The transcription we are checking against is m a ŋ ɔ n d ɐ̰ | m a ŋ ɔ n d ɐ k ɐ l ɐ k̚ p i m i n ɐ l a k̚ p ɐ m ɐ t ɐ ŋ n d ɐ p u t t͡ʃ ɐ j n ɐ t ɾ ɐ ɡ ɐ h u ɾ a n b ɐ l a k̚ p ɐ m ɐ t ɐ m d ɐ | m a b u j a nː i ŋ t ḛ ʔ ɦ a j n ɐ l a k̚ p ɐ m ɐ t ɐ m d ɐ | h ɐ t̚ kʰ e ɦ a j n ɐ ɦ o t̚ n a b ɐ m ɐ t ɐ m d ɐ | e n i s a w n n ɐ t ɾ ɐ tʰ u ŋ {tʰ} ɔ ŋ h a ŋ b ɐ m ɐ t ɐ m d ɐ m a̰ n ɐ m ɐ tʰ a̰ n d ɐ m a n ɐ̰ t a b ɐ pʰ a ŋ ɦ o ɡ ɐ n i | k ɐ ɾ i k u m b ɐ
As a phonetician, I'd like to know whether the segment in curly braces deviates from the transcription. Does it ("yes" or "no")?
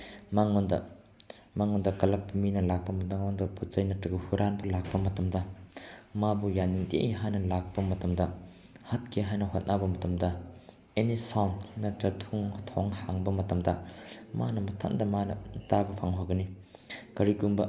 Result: no